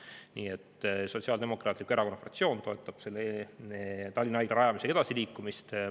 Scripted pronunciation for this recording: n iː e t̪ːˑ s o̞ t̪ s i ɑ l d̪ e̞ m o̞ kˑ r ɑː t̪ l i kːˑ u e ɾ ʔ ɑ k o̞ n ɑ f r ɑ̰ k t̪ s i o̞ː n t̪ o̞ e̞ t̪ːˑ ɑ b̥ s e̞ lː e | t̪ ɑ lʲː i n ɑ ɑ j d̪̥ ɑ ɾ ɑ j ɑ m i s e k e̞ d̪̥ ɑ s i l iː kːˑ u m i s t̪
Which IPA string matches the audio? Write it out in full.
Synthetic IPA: n iː e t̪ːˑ s o̞ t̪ s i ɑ l d̪ e̞ m o̞ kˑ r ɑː t̪ l i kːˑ u e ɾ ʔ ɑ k o̞ n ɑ f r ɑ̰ k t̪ s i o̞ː n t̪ o̞ e̞ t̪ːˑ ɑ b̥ s e̞ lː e | t̪ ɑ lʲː i n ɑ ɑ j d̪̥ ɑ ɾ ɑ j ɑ m i s e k e̞ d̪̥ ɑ s i l iː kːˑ u m i s t̪